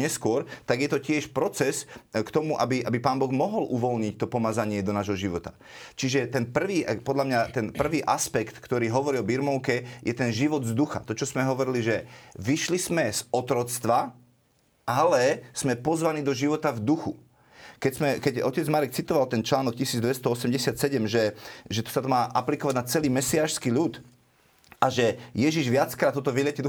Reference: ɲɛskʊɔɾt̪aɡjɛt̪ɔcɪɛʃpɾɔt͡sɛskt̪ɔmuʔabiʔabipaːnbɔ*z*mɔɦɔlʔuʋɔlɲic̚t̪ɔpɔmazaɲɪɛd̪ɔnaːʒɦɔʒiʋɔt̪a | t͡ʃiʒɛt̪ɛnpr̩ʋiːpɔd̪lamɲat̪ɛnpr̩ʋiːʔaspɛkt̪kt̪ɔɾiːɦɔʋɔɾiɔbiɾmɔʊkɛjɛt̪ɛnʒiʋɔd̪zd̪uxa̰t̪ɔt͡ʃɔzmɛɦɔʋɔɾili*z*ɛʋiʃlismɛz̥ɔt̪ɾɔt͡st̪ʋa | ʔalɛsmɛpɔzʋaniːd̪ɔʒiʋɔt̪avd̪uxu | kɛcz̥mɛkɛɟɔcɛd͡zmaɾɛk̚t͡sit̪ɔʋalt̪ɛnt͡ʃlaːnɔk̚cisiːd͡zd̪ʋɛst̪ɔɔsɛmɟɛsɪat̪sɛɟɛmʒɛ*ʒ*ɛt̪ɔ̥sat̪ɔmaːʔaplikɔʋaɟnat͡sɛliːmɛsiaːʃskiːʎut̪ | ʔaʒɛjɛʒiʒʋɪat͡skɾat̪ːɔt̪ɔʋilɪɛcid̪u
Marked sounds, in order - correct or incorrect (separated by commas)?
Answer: incorrect, incorrect, correct